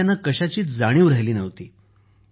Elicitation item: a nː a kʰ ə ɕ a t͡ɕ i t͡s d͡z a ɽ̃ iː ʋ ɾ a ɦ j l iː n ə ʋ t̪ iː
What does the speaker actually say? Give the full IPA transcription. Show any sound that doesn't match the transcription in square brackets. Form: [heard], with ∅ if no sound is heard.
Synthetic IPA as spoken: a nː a [k] ə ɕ a t͡ɕ [iː] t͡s d͡z a ɽ̃ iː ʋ ɾ a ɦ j l iː n ə ʋ t̪ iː